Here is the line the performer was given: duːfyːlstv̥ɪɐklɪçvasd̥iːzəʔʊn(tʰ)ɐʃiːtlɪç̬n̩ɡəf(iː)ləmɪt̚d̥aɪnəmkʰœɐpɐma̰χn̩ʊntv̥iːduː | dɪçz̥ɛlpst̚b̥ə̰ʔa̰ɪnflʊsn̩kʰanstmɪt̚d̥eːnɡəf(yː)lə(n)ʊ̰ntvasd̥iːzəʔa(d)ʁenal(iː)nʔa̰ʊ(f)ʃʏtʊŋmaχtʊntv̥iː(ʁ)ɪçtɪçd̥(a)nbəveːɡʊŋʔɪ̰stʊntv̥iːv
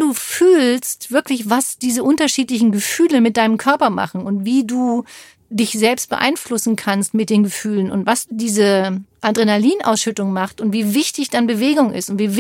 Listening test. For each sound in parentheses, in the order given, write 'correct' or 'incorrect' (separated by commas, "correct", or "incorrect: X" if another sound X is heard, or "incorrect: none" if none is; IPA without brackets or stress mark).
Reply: incorrect: t, incorrect: yː, correct, correct, correct, correct, incorrect: s, incorrect: v, correct